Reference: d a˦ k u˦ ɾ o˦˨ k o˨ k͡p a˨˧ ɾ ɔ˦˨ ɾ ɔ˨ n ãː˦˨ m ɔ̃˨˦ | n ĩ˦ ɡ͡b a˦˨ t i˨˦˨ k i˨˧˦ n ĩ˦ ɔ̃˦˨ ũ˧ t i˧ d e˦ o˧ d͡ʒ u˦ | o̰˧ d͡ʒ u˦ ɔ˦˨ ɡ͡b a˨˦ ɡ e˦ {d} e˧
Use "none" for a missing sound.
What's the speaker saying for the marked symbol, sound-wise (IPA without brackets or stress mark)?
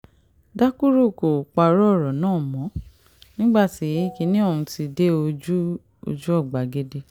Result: d